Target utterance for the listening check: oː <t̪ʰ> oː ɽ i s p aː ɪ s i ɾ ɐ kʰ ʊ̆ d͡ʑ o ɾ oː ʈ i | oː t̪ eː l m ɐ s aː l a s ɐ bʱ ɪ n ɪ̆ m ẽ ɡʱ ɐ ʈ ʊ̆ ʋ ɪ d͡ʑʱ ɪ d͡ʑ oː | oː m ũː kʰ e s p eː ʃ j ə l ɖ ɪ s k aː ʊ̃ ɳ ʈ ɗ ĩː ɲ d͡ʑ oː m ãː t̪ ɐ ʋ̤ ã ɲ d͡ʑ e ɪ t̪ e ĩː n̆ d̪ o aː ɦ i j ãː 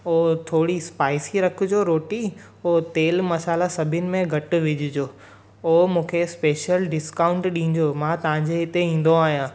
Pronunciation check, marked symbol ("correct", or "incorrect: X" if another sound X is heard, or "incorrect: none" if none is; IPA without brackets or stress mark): correct